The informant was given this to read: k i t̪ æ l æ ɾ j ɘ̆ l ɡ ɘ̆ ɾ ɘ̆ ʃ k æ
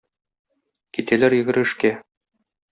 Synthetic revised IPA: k i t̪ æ l æ ɾ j ɘ̆ ɡ ɘ̆ ɾ ɘ̆ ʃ k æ